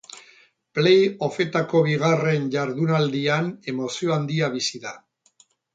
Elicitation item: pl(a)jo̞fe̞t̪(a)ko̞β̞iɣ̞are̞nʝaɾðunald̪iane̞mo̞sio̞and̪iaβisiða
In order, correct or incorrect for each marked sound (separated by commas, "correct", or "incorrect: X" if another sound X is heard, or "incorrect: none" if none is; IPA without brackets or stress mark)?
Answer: incorrect: e, correct